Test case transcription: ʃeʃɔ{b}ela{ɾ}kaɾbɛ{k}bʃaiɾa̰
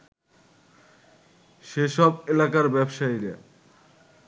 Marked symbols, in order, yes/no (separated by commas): yes, no, no